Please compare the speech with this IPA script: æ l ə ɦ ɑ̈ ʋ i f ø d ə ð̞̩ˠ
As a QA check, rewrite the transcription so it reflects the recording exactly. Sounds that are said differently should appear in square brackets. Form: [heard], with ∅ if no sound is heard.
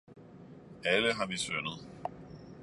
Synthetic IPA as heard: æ l ə ɦ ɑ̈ ʋ i [s] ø [n] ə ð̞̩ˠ